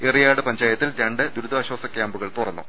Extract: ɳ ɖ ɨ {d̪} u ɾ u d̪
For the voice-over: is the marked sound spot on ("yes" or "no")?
yes